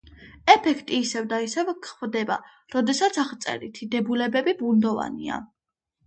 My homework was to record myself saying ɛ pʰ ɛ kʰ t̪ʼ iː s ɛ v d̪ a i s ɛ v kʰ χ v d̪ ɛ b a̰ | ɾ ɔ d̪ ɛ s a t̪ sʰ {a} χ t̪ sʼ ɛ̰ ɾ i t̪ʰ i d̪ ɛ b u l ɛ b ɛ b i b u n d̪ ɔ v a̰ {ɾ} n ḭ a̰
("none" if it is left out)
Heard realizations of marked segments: a, none

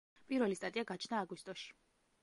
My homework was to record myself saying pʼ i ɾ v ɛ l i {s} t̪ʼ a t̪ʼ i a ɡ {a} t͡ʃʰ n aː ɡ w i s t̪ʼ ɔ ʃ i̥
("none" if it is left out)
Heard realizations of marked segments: s, a

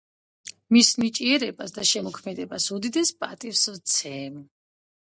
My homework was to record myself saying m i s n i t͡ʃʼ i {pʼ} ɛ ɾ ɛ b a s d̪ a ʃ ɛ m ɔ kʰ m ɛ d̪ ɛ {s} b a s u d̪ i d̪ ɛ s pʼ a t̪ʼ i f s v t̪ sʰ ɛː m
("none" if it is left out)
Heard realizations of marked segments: none, none

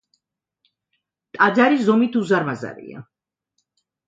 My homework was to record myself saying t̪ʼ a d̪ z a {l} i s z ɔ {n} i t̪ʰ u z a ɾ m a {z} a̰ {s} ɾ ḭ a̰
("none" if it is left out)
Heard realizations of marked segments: ɾ, m, z, none

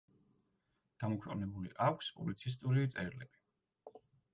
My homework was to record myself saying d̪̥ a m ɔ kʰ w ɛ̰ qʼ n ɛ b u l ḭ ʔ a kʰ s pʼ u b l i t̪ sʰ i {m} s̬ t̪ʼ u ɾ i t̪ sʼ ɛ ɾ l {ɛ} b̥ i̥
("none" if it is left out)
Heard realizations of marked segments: none, ɛ

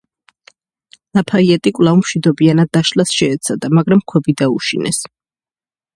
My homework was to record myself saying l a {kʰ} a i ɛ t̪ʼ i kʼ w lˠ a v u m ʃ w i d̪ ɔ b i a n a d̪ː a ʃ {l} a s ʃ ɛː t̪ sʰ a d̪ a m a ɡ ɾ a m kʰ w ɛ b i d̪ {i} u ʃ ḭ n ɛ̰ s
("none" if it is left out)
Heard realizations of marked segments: pʰ, l, a

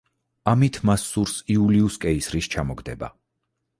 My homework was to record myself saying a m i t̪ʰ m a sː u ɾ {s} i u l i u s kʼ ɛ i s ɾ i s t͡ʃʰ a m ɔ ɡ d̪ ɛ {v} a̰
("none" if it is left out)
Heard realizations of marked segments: s, b

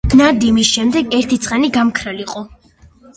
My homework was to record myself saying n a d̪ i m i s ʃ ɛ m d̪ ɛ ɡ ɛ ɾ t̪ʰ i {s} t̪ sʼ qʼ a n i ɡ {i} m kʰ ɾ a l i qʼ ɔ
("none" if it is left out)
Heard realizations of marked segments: none, a

